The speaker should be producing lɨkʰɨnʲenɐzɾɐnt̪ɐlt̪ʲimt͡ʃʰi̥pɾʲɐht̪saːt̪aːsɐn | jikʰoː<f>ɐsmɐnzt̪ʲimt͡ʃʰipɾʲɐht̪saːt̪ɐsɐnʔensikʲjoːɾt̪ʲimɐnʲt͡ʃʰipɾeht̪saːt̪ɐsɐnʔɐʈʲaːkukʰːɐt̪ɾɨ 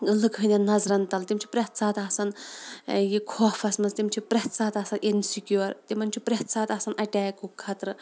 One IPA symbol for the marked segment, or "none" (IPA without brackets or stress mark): f